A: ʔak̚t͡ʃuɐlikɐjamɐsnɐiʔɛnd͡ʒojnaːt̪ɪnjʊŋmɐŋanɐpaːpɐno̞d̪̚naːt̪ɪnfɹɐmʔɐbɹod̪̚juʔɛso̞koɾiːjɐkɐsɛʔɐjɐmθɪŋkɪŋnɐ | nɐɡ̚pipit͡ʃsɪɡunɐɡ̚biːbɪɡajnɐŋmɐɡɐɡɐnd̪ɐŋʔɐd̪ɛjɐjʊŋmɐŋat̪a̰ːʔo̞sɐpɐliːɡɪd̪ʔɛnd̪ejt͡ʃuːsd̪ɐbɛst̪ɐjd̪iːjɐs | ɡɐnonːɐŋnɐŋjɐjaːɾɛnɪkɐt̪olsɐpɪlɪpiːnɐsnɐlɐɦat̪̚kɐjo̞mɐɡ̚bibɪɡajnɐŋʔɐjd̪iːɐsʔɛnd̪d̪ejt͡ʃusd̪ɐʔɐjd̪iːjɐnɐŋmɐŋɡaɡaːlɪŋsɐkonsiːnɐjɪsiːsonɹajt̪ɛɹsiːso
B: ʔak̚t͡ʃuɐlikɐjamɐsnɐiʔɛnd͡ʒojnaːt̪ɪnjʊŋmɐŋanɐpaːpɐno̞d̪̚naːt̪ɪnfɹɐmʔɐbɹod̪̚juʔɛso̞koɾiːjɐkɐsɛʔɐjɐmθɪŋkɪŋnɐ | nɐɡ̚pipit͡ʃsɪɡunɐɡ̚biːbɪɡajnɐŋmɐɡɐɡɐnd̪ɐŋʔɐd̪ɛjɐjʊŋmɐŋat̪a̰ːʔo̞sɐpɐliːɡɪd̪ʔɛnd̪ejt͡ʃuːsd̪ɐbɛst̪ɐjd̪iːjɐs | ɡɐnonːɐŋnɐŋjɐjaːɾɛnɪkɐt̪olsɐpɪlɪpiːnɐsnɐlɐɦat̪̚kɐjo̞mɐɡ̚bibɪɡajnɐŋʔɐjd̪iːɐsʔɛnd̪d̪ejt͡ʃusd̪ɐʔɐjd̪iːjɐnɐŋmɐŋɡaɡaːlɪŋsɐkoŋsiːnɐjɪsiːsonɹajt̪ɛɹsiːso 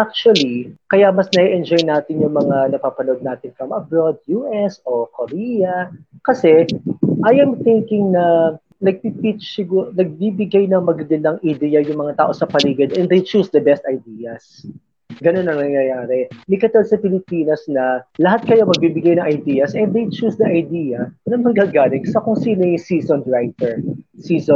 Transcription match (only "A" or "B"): B